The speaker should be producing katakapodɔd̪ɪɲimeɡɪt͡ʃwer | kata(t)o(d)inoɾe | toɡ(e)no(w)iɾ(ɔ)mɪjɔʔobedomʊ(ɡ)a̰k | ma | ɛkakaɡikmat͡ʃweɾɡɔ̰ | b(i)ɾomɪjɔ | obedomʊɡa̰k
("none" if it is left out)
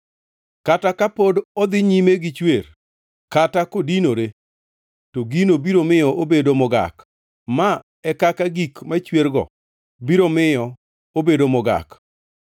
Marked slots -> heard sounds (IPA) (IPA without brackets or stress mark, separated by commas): k, d, i, b, o, ɡ, i